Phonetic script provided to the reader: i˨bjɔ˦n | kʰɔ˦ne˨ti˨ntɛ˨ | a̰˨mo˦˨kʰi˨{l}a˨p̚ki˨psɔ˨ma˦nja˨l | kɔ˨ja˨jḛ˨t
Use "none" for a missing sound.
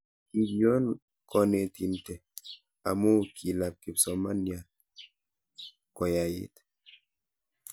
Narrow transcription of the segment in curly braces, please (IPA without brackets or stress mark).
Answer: l